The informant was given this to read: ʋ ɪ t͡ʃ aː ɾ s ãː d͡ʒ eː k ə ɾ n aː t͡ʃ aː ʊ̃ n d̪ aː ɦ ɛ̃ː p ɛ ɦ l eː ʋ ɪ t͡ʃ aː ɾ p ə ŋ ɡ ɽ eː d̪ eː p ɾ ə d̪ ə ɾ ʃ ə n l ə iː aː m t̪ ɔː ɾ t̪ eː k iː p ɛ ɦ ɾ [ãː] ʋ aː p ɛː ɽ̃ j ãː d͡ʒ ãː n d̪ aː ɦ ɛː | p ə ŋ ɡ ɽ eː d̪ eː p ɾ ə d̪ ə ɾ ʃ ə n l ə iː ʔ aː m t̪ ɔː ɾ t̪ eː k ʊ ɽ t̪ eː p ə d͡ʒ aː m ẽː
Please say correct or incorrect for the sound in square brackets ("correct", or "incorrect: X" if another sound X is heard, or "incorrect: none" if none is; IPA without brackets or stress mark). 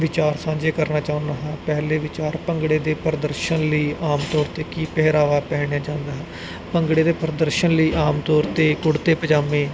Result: incorrect: aː